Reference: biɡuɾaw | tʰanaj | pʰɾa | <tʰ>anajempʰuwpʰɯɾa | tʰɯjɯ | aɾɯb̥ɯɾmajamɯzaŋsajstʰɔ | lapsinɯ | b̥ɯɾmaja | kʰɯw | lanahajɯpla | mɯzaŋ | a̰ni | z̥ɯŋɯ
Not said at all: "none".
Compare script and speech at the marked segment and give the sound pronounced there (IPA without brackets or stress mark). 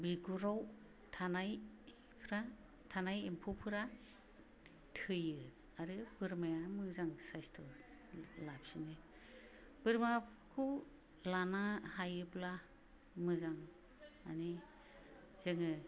tʰ